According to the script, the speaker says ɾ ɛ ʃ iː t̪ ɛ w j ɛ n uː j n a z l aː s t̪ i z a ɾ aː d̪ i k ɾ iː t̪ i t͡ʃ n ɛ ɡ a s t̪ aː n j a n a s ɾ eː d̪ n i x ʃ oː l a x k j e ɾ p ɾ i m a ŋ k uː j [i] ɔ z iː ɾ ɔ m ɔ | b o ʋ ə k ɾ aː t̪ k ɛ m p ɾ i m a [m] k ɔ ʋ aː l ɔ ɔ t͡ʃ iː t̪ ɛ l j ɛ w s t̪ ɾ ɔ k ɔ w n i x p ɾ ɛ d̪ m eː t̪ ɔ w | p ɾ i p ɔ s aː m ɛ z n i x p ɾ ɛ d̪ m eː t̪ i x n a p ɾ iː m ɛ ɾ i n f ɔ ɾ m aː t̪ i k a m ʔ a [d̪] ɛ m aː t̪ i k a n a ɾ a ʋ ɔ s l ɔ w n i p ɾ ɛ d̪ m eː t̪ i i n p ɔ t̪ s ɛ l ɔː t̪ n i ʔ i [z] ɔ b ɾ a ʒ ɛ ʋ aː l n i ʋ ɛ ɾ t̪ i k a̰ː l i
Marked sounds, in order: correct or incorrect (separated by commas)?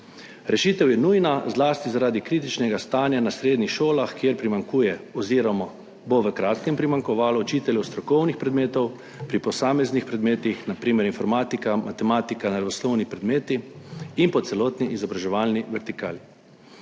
incorrect, incorrect, incorrect, correct